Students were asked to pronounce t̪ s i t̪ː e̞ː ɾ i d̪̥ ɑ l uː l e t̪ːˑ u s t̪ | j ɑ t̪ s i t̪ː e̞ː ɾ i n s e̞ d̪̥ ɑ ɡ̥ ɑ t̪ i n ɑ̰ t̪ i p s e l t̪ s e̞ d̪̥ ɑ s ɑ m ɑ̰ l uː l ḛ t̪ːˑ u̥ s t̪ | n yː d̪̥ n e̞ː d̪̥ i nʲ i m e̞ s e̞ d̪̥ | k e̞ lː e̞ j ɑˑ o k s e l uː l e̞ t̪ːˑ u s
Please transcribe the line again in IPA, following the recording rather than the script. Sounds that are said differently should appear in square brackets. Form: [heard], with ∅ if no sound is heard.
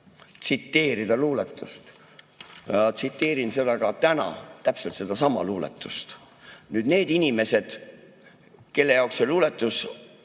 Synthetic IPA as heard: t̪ s i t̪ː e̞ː ɾ i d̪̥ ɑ l uː l e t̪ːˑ u s t̪ | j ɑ t̪ s i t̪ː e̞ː ɾ i n s e̞ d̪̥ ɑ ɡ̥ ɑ t̪ [æ] n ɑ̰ t̪ [æ] p s e l t̪ s e̞ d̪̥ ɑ s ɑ m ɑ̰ l uː l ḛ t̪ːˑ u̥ s t̪ | n yː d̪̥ n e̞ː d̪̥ i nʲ i m e̞ s e̞ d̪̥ | k e̞ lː e̞ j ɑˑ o k s e l uː l e̞ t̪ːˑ u s